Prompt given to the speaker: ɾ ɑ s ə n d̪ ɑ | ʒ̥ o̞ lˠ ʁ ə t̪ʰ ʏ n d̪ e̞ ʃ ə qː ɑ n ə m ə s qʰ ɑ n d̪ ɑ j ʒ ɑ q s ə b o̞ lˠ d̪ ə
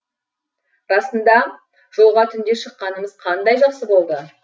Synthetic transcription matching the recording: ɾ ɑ s ə n d̪ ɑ | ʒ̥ o̞ lˠ ʁ ɑ t̪ʰ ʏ n d̪ e̞ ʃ ə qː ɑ n ə m ə z qʰ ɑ n d̪ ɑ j ʒ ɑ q s ə b o̞ lˠ d̪ ə